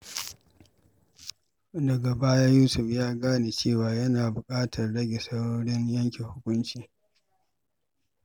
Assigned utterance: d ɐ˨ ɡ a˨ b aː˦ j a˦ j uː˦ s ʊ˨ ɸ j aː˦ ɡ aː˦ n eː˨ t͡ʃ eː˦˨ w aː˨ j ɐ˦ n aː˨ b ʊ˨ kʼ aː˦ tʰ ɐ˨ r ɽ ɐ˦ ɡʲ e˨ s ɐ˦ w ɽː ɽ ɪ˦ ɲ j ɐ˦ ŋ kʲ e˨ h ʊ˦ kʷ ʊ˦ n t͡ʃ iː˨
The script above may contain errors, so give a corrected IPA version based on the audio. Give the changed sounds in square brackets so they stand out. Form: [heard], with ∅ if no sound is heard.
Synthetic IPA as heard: d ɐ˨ ɡ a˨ b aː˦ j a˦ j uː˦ s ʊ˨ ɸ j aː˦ ɡ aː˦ n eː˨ t͡ʃ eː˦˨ w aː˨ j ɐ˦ n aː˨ b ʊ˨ kʼ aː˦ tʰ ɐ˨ r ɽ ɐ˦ ɡʲ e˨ s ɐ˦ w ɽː ɽ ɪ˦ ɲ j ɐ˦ ŋ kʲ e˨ h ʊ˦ kʷ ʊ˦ n t͡ʃ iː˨